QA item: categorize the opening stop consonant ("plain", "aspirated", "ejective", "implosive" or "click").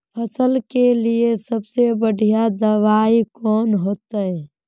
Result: aspirated